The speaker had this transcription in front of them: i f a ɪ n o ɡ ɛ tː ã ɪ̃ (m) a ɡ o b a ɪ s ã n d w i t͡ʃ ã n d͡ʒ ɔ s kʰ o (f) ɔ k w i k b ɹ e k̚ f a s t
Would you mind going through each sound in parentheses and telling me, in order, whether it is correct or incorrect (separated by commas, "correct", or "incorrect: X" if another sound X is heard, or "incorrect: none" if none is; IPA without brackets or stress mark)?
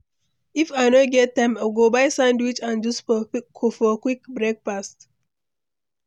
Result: correct, correct